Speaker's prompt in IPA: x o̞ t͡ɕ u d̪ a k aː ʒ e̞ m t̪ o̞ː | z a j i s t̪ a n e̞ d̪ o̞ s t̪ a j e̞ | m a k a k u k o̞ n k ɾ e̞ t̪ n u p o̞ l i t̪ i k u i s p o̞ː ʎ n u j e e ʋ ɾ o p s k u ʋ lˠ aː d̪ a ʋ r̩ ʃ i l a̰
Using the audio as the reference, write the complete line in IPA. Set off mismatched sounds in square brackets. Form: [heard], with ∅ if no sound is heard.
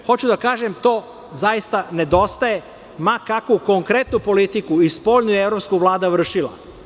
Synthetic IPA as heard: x o̞ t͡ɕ u d̪ a k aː ʒ e̞ m t̪ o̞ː | z a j i s t̪ a n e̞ d̪ o̞ s t̪ a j e̞ | m a k a k u k o̞ [ŋ] k ɾ e̞ t̪ n u p o̞ l i t̪ i k u i s p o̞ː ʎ n u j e e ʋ ɾ o p s k u ʋ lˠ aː d̪ a ʋ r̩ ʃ i l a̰

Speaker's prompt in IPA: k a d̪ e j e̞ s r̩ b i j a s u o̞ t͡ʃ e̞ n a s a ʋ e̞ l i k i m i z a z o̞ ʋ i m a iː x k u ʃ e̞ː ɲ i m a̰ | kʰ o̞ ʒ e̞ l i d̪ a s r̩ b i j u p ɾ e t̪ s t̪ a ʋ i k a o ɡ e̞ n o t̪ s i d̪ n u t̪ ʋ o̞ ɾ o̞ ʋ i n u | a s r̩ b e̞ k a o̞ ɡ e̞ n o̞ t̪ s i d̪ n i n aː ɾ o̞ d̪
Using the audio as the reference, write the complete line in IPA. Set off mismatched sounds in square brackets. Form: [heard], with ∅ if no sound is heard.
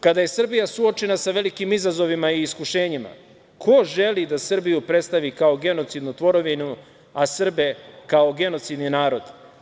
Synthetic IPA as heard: k a d̪ [a] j e̞ s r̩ b i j a s u o̞ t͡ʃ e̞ n a s a ʋ e̞ l i k i m i z a z o̞ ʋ i m a iː [s] k u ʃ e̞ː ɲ i m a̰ | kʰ o̞ ʒ e̞ l i d̪ a s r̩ b i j u p ɾ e t̪ s t̪ a ʋ i k a o ɡ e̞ n o t̪ s i d̪ n u t̪ ʋ o̞ ɾ o̞ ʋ i n u | a s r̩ b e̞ k a o̞ ɡ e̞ n o̞ t̪ s i d̪ n i n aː ɾ o̞ d̪

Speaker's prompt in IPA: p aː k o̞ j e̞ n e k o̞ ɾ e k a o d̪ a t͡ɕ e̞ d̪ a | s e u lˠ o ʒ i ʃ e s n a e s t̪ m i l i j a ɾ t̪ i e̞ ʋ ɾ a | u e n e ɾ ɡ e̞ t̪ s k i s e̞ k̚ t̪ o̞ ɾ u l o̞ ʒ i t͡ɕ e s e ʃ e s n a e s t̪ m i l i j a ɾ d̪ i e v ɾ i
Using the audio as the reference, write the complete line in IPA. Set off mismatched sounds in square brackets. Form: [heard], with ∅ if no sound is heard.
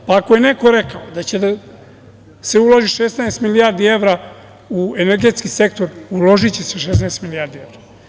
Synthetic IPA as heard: p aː k o̞ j e̞ n e k o̞ ɾ e k a o d̪ a t͡ɕ e̞ d̪ a | s e u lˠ o ʒ i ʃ e s n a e s t̪ m i l i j a ɾ [d̪] i e̞ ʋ ɾ a | u e n e ɾ ɡ e̞ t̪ s k i s e̞ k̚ t̪ o̞ ɾ u l o̞ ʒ i t͡ɕ e s e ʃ e s n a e s t̪ m i l i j a ɾ d̪ i e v ɾ [a]

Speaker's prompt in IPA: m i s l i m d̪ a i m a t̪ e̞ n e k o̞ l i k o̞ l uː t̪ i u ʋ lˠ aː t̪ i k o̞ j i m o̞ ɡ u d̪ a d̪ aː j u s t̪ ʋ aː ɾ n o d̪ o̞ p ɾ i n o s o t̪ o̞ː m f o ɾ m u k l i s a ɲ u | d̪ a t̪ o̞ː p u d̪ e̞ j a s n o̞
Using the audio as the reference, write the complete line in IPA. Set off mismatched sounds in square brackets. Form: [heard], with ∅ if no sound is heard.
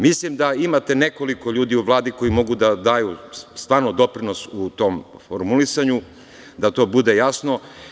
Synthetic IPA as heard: m i s l i m d̪ a i m a t̪ e̞ n e k o̞ l i k o̞ [ʎ] uː [d̪] i u ʋ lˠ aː [d̪] i k o̞ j i m o̞ ɡ u d̪ a d̪ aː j u s t̪ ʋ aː ɾ n o d̪ o̞ p ɾ i n o s [u] t̪ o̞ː m f o ɾ m u [∅] l i s a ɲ u | d̪ a t̪ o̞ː [b] u d̪ e̞ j a s n o̞

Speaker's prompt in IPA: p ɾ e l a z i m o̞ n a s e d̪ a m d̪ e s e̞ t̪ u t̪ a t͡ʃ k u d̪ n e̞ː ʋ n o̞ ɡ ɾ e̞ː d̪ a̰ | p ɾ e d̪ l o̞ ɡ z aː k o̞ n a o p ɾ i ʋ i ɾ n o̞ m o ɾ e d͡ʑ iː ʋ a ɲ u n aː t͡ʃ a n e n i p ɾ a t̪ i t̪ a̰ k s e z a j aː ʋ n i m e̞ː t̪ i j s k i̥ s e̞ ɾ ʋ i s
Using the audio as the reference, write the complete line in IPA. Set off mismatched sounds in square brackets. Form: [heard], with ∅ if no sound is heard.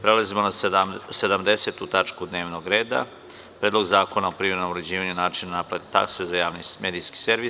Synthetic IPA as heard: p ɾ e l a z i m o̞ n a s e d̪ a m d̪ e s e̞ t̪ u t̪ a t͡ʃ k u d̪ n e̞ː ʋ n o̞ ɡ ɾ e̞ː d̪ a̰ | p ɾ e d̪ l o̞ ɡ z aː k o̞ n a o p ɾ i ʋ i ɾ n o̞ m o ɾ e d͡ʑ iː ʋ a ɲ u n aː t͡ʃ [i] n [a] n [a] p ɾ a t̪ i t̪ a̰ k s e z a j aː ʋ n i m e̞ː [d̪] i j s k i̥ s e̞ ɾ ʋ i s

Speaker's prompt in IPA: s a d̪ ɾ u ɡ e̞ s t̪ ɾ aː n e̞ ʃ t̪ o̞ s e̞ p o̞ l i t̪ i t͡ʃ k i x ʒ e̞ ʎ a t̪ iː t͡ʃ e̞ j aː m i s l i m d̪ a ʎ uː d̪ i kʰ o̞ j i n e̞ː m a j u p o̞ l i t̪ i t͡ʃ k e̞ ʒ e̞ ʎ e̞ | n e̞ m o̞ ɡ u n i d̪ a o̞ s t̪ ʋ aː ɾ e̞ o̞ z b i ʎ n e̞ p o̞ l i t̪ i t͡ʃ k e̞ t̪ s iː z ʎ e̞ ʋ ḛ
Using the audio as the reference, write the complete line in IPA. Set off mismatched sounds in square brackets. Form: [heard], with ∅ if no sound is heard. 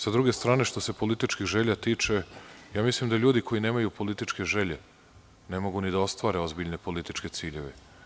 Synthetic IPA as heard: s a d̪ ɾ u ɡ e̞ s t̪ ɾ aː n e̞ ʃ t̪ o̞ s e̞ p o̞ l i t̪ i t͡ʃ k i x ʒ e̞ ʎ a t̪ iː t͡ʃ e̞ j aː m i s l i m d̪ a ʎ uː d̪ i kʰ o̞ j i n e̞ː m a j u p o̞ l i t̪ i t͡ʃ k e̞ ʒ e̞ ʎ e̞ | n e̞ m o̞ ɡ u n i d̪ a o̞ s t̪ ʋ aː ɾ e̞ o̞ z b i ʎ n e̞ p o̞ l i t̪ i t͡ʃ k e̞ t̪ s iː [∅] ʎ e̞ ʋ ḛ

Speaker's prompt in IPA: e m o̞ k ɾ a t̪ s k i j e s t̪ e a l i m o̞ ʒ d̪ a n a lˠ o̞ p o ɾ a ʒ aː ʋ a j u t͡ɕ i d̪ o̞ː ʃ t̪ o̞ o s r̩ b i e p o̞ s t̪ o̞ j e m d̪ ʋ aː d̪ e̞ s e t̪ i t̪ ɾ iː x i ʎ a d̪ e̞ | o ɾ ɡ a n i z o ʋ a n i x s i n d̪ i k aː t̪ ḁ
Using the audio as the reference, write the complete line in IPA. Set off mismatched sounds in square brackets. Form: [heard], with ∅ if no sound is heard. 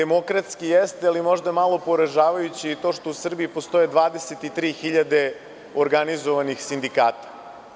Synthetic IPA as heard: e m o̞ k ɾ a t̪ s k i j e s t̪ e a l i m o̞ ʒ d̪ a [m] a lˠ o̞ p o ɾ a ʒ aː ʋ a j u t͡ɕ i [t̪] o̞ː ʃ t̪ o̞ [u] s r̩ b i [i] p o̞ s t̪ o̞ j e [∅] d̪ ʋ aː d̪ e̞ s e t̪ i t̪ ɾ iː x i ʎ a d̪ e̞ | o ɾ ɡ a n i z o ʋ a n i x s i n d̪ i k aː t̪ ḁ

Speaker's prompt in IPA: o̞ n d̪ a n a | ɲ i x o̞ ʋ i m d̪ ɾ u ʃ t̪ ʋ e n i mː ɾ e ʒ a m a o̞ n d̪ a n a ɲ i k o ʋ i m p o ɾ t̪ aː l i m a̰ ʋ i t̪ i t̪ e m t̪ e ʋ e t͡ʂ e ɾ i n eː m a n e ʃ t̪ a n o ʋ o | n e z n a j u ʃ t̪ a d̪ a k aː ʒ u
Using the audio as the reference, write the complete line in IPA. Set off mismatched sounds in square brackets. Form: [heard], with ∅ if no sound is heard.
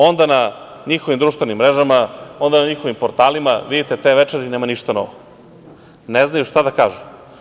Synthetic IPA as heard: o̞ n d̪ a n a | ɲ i x o̞ ʋ i m d̪ ɾ u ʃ t̪ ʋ e n i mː ɾ e ʒ a m a o̞ n d̪ a n a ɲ i [x] o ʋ i m p o ɾ t̪ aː l i m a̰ ʋ i [d̪] i t̪ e [∅] t̪ e ʋ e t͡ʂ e ɾ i n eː m a n [i] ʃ t̪ a n o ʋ o | n e z n a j u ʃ t̪ a d̪ a k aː ʒ u

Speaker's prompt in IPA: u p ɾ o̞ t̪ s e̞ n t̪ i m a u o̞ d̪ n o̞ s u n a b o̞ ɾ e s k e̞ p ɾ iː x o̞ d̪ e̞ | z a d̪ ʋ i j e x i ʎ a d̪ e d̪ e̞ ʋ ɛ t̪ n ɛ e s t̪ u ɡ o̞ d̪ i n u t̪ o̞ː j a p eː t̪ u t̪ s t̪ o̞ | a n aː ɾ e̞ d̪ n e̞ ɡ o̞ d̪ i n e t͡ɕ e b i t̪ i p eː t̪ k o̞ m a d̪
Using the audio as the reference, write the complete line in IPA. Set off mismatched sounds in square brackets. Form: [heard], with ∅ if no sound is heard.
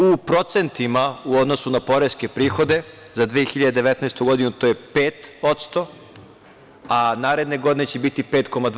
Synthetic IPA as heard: u p ɾ o̞ t̪ s e̞ n t̪ i m a u o̞ d̪ n o̞ s u n a [p] o̞ ɾ e s k e̞ p ɾ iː x o̞ d̪ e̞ | z a d̪ ʋ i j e x i ʎ a d̪ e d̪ e̞ ʋ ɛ t̪ n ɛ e s t̪ u ɡ o̞ d̪ i n u t̪ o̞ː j [e] p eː t̪ [o] t̪ s t̪ o̞ | a n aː ɾ e̞ d̪ n e̞ ɡ o̞ d̪ i n e t͡ɕ e b i t̪ i p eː t̪ k o̞ m a d̪

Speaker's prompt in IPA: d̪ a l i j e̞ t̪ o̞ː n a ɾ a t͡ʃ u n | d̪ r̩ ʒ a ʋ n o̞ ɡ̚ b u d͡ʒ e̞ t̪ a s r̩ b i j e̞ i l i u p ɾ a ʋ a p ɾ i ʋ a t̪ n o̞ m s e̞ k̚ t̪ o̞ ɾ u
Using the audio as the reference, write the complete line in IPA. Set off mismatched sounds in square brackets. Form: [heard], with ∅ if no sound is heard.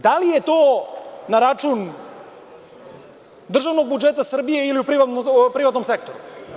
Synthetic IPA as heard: d̪ a l i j e̞ t̪ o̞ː n a ɾ a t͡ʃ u n | d̪ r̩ ʒ a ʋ n o̞ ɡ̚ b u d͡ʒ e̞ t̪ a s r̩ b i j e̞ i l i u p ɾ [i] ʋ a p ɾ i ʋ a t̪ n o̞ m s e̞ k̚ t̪ o̞ ɾ u

